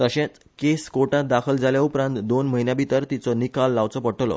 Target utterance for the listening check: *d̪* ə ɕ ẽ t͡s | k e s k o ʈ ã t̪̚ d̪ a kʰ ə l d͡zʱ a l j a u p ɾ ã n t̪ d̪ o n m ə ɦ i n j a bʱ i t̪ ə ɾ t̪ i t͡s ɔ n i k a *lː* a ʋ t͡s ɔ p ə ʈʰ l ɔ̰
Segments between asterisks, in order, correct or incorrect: incorrect: t̪, correct

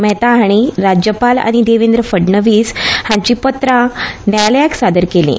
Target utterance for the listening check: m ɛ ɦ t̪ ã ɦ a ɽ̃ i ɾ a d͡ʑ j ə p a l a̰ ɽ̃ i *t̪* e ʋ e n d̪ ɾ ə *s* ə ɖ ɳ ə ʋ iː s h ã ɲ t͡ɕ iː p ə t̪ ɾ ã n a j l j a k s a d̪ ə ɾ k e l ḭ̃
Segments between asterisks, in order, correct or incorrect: incorrect: d̪, incorrect: f

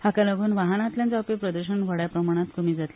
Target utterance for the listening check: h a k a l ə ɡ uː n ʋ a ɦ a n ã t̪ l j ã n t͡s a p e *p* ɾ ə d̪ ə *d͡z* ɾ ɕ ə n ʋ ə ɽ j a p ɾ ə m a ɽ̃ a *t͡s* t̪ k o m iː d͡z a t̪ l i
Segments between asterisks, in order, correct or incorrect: correct, incorrect: none, incorrect: none

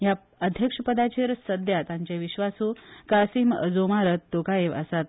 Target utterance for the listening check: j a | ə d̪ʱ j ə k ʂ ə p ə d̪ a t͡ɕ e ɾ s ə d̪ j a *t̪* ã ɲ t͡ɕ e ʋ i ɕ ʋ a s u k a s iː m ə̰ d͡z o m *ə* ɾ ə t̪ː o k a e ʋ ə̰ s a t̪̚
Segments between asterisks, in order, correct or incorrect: correct, incorrect: a

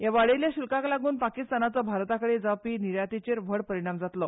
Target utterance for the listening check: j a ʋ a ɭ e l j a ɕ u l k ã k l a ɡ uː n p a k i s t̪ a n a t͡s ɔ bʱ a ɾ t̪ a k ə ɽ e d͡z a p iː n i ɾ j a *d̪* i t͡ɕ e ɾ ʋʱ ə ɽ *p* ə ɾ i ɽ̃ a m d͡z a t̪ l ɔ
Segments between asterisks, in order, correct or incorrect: incorrect: t̪, correct

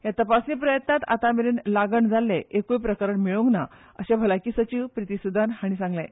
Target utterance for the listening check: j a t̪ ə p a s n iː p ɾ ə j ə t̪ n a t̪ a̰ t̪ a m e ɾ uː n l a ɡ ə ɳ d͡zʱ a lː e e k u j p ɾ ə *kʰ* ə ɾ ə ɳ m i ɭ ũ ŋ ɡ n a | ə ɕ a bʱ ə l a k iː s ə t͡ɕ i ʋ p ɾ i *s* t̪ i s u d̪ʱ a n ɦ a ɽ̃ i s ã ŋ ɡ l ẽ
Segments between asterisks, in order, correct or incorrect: incorrect: k, incorrect: none

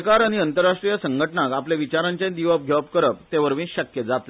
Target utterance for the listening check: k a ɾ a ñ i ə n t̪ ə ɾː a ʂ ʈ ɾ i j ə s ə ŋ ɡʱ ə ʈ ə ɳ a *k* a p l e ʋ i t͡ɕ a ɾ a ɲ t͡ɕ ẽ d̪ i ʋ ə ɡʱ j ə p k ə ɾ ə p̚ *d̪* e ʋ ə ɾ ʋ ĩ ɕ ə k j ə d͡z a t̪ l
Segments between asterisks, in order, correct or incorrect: correct, incorrect: t̪

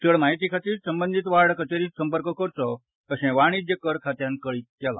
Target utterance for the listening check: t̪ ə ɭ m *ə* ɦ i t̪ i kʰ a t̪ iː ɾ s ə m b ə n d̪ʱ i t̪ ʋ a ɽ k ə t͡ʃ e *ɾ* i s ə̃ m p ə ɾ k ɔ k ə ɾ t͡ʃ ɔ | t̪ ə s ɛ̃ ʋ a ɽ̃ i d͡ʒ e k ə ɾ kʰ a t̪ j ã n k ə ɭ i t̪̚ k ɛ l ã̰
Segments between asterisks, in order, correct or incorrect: incorrect: a, correct

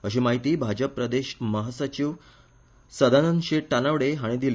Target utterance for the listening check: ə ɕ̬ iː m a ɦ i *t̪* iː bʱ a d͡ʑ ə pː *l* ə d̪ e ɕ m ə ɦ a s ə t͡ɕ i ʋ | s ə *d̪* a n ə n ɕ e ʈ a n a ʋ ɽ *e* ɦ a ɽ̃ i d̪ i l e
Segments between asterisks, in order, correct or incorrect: correct, incorrect: ɾ, correct, correct

